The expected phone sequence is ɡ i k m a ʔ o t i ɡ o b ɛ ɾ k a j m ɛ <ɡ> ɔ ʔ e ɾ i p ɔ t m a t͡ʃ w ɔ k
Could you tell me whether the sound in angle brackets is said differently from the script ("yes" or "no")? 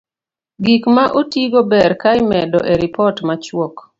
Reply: yes